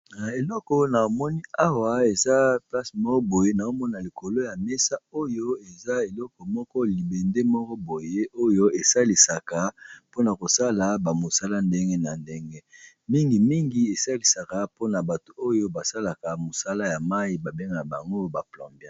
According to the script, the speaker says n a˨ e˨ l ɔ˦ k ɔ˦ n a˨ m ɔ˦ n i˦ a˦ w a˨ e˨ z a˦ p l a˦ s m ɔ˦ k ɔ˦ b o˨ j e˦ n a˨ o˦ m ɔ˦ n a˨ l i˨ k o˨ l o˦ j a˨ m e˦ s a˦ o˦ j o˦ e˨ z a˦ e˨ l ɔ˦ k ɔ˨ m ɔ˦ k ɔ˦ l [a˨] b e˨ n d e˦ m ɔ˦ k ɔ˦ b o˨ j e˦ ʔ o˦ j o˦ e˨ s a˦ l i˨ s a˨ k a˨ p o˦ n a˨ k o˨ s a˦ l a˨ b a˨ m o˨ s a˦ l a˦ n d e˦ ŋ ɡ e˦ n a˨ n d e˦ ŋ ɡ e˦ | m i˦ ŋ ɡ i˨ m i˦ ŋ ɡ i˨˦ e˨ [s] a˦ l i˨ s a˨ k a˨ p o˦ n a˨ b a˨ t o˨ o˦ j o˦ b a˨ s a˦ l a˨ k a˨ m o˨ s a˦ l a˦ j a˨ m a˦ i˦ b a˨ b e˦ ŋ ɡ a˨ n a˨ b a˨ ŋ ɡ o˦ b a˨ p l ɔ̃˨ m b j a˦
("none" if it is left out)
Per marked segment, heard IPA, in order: i˨, s

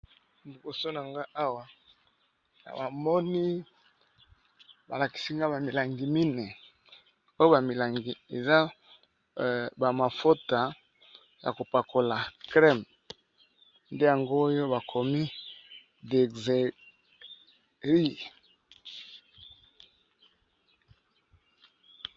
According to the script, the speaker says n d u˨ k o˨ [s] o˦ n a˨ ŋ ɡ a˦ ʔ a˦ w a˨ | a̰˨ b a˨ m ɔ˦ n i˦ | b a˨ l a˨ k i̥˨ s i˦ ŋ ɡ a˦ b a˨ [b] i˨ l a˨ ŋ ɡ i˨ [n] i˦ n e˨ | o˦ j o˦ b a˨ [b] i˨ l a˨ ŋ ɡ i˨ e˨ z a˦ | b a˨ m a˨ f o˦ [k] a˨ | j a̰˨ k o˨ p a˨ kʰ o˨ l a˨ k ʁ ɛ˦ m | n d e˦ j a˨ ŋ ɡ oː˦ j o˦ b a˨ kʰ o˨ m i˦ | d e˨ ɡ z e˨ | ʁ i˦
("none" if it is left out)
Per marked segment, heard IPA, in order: s, m, m, m, t

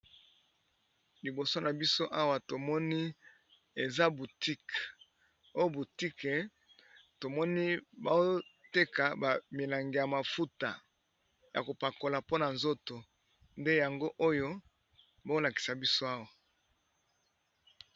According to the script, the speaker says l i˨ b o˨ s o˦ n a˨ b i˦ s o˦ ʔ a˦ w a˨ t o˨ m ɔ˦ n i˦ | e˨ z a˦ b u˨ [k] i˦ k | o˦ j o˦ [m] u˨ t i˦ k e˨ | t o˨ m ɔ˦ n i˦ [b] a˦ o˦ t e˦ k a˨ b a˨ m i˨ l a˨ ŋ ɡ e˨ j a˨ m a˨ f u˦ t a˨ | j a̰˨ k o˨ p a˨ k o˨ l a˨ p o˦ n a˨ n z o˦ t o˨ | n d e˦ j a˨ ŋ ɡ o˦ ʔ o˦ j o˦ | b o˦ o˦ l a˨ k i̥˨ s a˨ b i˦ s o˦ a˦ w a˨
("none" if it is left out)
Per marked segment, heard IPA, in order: t, b, b

